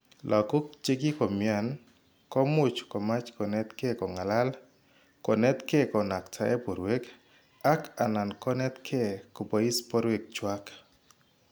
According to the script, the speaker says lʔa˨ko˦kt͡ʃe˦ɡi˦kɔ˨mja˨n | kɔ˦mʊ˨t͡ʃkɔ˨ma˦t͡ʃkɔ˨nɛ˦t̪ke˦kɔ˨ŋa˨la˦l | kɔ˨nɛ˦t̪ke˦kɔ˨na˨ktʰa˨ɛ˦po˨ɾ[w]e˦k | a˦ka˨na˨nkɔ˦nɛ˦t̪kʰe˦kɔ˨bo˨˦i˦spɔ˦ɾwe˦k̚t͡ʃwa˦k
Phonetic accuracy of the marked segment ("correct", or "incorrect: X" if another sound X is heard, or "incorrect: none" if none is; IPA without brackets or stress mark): correct